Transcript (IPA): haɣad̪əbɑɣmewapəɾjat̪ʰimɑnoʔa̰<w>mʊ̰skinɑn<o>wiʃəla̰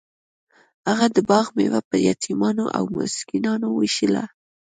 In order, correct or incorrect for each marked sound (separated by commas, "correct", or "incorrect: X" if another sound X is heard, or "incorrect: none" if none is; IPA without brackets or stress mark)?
correct, correct